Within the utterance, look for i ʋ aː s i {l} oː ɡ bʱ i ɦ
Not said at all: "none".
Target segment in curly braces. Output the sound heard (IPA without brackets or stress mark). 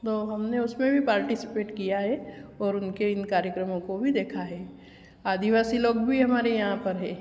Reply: l